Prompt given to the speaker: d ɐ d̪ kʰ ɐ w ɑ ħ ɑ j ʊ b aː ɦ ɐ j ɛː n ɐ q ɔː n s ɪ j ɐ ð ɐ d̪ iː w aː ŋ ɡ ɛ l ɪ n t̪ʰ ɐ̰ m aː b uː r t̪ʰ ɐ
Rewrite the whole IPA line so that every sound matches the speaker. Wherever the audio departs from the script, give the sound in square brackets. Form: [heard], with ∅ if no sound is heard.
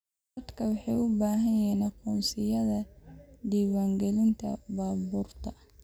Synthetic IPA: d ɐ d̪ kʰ ɐ w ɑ ħ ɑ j ʊ b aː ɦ ɐ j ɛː n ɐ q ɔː n s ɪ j ɐ ð ɐ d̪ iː w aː ŋ ɡ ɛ l ɪ n t̪ʰ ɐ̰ [b] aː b uː r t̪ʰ ɐ